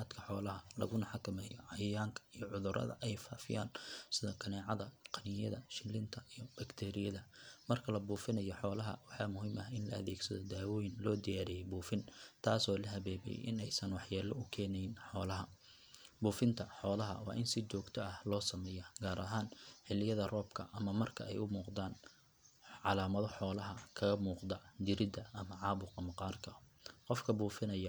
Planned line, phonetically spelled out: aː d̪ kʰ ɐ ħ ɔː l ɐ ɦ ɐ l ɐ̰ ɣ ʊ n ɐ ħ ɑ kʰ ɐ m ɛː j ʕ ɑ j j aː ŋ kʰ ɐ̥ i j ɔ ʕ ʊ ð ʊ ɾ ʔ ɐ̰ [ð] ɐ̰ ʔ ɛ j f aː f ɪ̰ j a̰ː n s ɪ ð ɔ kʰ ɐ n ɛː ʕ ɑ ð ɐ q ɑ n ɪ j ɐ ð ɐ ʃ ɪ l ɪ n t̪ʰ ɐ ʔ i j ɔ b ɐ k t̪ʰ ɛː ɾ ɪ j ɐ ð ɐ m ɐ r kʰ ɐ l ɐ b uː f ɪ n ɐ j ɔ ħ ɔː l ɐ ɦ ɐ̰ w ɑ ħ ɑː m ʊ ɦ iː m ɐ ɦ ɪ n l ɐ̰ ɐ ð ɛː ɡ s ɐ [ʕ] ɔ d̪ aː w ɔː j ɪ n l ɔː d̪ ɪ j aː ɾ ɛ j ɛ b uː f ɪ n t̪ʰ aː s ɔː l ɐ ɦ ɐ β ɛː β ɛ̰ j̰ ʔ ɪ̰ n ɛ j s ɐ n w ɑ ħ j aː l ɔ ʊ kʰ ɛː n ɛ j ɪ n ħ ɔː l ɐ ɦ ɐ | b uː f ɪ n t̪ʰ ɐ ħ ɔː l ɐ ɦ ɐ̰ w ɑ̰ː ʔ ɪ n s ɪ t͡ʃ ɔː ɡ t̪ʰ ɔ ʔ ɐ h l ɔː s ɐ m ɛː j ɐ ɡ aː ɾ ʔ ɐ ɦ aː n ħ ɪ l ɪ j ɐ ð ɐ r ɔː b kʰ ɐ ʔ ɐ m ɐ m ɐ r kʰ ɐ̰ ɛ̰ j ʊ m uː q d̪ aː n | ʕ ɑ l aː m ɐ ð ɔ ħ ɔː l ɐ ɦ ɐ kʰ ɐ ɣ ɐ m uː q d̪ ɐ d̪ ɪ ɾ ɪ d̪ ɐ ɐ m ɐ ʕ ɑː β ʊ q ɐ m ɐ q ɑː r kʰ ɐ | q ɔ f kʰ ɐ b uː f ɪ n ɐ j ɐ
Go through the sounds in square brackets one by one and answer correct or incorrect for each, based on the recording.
correct, incorrect: ð

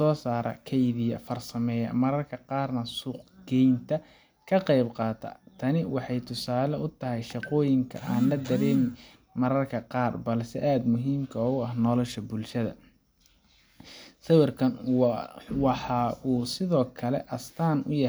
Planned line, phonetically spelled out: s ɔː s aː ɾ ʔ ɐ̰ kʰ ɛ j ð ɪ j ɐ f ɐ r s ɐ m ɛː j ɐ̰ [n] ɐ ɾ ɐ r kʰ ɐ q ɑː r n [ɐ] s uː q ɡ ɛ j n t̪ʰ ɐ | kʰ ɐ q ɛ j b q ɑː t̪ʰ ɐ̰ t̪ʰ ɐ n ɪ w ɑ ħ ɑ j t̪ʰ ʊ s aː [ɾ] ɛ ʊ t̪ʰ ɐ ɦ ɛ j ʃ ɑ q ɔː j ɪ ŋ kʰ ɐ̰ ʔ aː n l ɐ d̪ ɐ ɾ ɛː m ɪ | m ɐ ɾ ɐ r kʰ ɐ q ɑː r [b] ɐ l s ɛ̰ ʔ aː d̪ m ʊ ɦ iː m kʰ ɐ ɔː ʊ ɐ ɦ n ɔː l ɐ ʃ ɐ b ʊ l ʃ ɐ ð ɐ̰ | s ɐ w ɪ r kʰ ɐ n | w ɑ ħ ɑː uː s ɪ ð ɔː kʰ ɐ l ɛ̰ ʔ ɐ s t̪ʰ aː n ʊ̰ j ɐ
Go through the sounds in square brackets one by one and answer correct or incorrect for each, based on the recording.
incorrect: m, correct, incorrect: l, correct

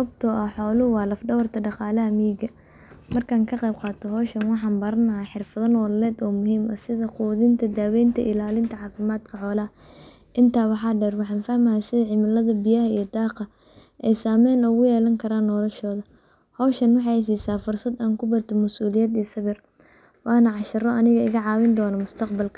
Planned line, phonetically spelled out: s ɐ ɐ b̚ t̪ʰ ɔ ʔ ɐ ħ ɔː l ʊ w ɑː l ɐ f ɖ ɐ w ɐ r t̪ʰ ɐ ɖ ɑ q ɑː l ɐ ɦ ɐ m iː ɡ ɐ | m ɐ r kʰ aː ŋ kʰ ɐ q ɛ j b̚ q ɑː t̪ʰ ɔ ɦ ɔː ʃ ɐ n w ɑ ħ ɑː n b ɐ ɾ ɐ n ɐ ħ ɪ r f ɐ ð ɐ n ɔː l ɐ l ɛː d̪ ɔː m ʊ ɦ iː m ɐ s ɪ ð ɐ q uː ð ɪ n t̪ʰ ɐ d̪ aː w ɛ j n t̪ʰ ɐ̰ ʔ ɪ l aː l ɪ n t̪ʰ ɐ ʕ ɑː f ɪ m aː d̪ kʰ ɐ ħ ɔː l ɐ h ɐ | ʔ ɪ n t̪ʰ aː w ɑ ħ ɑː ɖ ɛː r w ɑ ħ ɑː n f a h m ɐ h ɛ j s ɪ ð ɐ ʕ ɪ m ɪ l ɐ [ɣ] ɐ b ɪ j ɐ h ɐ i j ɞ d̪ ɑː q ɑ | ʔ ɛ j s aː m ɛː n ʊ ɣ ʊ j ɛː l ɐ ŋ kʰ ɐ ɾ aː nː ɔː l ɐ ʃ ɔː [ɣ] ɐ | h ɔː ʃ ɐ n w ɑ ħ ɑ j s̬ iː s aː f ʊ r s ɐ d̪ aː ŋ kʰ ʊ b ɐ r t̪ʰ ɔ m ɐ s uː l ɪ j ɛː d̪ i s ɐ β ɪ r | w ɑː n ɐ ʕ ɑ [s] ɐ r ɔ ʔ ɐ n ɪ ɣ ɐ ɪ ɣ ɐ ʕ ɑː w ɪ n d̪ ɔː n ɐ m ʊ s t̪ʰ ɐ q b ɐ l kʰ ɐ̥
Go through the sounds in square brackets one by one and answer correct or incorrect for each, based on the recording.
incorrect: ð, incorrect: ð, incorrect: ʃ

